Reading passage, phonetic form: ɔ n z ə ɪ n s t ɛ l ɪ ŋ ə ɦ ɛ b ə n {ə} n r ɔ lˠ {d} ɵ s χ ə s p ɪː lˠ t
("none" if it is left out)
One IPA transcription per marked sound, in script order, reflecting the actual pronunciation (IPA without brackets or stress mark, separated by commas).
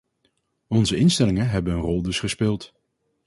ə, d